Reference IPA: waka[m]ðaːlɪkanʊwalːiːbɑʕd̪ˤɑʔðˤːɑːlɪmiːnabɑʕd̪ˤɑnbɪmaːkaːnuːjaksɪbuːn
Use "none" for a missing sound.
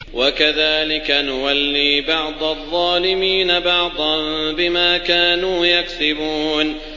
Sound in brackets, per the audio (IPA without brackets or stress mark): none